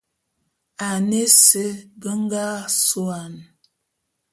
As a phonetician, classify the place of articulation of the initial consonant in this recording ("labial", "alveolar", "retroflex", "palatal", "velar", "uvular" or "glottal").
alveolar